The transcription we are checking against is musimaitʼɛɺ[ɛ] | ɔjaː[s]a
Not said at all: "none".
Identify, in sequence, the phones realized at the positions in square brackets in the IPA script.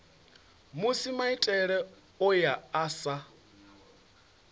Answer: ɛ, s

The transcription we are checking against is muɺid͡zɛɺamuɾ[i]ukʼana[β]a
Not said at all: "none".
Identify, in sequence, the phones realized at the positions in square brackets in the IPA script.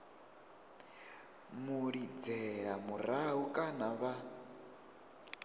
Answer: a, β

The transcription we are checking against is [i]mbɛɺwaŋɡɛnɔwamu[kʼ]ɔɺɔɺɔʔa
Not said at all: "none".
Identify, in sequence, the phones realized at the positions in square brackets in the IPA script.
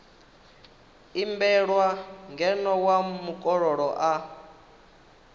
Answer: i, kʼ

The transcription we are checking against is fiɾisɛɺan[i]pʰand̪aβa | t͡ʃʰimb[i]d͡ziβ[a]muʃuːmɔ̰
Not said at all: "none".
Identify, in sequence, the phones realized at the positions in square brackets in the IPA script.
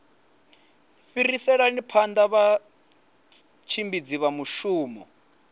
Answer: i, i, a

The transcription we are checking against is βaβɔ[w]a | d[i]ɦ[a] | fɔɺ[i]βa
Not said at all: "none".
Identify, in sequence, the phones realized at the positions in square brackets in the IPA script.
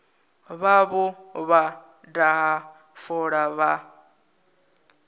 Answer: β, a, a, a

